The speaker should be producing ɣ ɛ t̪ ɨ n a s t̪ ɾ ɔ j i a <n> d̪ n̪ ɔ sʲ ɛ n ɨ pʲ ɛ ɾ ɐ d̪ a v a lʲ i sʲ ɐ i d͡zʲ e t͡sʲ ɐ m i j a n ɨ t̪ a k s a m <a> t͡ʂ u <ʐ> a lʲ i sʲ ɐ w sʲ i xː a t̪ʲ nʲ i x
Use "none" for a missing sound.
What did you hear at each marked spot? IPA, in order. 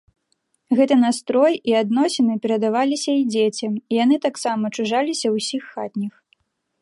none, ɐ, ʐ

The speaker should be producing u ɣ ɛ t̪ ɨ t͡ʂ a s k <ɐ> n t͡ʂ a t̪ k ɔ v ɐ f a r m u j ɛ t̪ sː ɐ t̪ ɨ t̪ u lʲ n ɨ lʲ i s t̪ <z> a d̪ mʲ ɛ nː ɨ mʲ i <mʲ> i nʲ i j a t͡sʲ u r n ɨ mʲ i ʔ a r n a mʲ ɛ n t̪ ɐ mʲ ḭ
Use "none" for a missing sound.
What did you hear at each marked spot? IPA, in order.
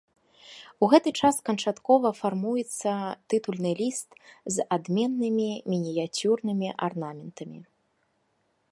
ɐ, z, mʲ

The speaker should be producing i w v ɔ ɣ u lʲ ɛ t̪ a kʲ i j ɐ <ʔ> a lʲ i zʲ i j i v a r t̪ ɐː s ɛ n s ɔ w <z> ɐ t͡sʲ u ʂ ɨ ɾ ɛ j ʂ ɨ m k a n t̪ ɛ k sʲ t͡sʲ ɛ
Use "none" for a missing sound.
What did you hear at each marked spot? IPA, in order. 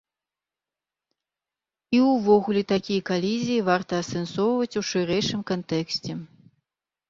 k, v

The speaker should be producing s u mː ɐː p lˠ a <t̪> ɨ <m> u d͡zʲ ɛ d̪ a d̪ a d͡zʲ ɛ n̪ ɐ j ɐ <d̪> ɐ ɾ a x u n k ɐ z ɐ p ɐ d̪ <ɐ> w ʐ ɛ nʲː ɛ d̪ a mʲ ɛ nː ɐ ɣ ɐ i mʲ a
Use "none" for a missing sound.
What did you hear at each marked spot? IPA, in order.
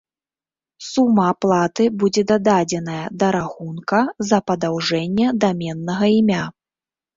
t̪, b, d̪, a

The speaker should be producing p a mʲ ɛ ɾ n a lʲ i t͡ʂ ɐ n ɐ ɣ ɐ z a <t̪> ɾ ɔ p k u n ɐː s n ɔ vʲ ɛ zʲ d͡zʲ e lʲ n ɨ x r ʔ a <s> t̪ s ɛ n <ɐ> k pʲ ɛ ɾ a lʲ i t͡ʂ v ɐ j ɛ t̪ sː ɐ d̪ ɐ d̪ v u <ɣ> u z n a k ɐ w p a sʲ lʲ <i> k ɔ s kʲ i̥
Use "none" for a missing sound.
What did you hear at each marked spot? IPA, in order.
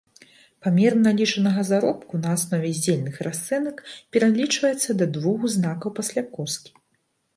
none, s, ɐ, ɣ, a

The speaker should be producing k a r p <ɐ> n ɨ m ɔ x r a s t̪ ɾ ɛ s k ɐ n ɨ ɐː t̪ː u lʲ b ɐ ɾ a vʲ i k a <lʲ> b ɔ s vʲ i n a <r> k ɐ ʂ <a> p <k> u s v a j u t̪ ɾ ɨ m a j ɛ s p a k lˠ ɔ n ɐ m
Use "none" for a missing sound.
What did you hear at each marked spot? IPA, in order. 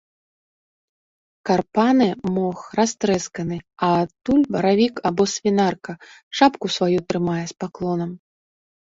a, none, r, a, k

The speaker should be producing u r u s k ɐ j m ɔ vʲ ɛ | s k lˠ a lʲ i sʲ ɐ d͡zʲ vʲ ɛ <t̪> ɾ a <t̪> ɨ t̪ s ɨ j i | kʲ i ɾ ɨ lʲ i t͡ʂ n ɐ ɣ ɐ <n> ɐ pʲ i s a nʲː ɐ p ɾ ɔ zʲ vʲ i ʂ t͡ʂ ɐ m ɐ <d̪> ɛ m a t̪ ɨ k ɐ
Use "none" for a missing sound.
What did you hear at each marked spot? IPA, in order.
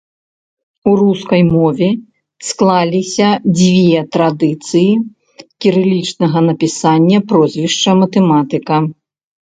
t̪, d̪, n, t̪

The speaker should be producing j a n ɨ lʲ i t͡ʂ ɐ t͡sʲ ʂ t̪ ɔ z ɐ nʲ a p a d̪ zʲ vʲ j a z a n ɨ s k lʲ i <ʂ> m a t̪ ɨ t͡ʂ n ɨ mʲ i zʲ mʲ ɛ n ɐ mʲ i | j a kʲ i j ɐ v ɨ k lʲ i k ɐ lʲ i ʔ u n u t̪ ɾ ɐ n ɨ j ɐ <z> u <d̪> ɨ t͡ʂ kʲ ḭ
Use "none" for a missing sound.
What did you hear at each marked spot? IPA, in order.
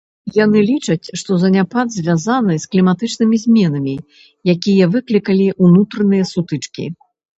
none, s, t̪

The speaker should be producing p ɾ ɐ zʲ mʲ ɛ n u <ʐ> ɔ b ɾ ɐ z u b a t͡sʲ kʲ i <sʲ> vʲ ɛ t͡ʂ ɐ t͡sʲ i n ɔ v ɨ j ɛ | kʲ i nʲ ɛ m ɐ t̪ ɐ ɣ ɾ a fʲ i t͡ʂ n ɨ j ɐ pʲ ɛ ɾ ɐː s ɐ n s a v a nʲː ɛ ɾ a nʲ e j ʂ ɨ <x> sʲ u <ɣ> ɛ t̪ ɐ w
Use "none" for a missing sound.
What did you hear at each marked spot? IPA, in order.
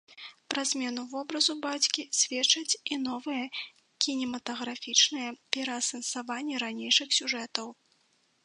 v, sʲ, x, ʐ

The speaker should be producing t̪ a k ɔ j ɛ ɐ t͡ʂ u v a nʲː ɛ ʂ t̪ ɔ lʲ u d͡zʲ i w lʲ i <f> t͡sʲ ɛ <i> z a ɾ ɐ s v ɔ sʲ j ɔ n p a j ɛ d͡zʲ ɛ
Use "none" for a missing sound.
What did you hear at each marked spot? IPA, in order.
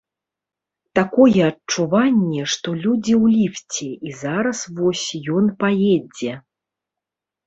f, i

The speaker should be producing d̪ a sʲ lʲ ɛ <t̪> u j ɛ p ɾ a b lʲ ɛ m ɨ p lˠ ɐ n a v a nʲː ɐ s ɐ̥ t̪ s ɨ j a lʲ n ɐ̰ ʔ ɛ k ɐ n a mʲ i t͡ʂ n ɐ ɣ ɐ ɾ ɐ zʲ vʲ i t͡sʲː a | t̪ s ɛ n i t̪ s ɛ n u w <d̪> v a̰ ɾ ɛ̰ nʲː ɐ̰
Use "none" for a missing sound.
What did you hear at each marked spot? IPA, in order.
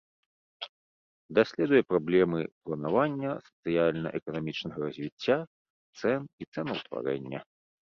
d̪, t̪

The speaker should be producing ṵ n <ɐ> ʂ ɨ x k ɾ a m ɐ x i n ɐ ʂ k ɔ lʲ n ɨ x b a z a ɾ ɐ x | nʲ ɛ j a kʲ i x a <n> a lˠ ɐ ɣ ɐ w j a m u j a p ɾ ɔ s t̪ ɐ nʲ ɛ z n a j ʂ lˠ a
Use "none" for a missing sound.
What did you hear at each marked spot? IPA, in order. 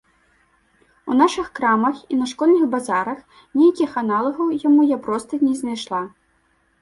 a, n

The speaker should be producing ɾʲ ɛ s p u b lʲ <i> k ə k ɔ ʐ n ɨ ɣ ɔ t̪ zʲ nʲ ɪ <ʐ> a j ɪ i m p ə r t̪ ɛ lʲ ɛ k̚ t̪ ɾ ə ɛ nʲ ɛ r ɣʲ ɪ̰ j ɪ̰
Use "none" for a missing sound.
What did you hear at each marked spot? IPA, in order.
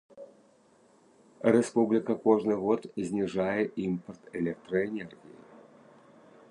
ɪ, ʐ

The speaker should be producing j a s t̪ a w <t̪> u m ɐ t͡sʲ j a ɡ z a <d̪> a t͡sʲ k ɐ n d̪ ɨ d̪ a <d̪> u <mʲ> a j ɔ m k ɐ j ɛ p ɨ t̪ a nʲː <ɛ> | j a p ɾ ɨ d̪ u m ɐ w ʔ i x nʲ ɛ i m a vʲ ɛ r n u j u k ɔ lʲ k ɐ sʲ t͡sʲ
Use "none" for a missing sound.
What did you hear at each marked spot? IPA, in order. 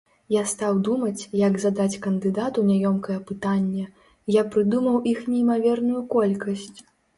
d̪, d̪, t̪, nʲ, ɛ

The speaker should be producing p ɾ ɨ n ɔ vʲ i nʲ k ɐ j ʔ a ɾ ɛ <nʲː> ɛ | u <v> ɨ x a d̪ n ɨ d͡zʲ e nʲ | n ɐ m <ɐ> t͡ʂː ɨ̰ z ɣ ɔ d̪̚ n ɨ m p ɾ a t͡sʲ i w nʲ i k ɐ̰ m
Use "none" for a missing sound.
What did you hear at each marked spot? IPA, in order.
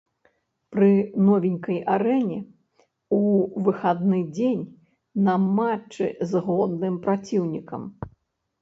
nʲ, v, a

